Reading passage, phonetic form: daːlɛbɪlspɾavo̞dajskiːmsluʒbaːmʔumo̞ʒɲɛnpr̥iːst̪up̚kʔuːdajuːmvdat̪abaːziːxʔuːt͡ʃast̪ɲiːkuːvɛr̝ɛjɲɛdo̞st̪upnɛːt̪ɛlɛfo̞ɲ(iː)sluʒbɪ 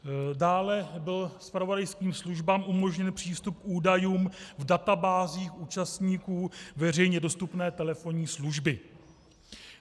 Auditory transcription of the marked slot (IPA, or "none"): iː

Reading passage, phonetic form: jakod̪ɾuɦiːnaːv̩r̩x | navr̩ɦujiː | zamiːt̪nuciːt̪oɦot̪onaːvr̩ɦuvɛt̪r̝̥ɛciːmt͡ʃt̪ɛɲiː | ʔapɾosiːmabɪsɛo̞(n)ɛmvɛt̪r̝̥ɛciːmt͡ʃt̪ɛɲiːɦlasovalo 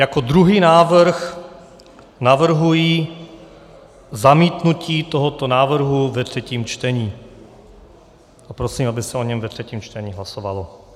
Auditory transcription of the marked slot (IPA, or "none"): ɲ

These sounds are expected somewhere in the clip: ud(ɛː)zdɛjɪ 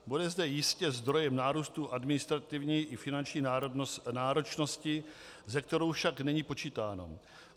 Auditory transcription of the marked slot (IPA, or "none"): ɛ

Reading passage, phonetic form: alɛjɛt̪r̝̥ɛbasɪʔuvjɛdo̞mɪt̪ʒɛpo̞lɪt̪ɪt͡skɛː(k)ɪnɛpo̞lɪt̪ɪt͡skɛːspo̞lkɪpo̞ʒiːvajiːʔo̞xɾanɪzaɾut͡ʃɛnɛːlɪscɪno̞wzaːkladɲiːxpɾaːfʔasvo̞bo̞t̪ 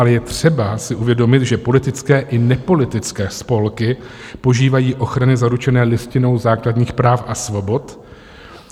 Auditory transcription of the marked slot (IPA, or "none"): ʔ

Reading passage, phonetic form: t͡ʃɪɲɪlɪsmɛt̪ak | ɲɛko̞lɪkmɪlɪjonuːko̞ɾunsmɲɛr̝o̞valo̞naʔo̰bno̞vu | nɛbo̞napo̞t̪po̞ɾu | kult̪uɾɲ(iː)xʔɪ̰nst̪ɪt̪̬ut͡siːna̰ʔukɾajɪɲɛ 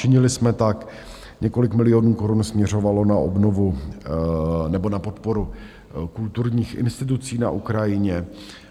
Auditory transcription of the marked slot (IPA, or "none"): iː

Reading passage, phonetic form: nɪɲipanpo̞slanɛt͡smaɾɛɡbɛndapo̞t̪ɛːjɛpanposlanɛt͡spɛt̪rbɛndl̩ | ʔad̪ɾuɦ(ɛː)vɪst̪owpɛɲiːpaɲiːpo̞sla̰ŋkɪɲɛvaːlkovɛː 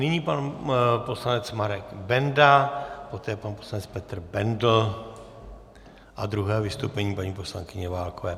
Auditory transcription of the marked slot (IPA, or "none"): ɛː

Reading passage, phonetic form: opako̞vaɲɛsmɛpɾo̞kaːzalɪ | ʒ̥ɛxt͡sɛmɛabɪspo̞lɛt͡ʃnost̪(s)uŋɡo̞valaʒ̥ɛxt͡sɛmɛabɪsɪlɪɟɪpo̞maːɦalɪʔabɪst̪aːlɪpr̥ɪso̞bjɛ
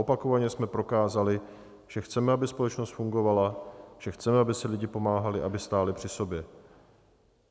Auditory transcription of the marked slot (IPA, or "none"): f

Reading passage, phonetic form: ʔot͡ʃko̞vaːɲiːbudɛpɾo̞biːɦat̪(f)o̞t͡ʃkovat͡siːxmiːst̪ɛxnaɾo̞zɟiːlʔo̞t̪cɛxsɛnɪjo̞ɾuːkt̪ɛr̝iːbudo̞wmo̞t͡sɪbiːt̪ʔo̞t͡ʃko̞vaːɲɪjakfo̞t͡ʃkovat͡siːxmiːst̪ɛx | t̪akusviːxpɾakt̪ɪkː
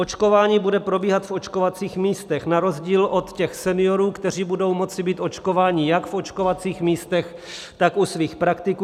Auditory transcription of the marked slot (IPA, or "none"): f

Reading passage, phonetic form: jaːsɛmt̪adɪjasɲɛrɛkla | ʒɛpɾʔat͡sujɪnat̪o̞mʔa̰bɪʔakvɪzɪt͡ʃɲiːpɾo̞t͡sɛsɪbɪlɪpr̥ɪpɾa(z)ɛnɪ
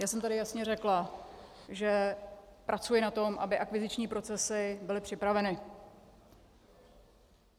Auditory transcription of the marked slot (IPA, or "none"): v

